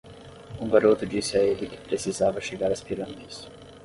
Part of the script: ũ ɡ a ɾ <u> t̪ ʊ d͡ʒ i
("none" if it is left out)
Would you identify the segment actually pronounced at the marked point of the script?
o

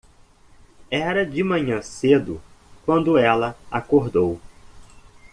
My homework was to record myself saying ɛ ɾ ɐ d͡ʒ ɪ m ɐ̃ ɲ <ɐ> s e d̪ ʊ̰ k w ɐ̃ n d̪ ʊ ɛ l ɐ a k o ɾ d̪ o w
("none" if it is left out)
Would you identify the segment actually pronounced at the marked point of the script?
ɐ̃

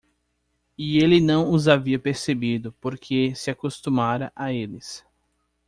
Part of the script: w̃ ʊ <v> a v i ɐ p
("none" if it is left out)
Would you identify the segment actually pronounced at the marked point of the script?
z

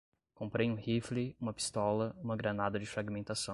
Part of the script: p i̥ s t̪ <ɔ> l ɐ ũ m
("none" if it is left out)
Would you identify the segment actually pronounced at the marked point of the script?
ɔ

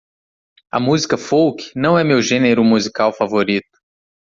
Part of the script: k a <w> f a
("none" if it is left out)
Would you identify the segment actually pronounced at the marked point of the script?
w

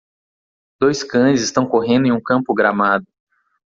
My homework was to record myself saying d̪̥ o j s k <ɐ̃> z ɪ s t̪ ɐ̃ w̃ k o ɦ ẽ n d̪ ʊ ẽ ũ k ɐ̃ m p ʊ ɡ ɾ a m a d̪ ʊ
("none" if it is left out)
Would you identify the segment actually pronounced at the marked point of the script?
ɐ̃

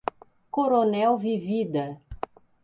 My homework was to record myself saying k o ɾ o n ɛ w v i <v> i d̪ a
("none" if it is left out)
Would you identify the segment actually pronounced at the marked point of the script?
v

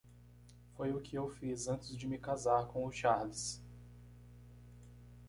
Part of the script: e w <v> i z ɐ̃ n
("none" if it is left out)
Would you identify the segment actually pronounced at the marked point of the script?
f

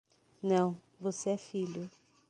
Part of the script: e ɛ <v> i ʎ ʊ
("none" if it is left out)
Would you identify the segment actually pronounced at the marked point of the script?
f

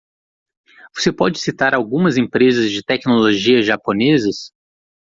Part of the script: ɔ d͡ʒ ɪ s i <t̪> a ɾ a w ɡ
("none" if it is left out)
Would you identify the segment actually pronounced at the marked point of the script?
t̪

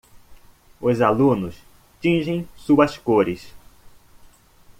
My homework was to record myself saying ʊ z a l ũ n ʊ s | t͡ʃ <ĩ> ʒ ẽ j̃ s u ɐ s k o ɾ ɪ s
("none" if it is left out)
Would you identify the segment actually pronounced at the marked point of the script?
ĩ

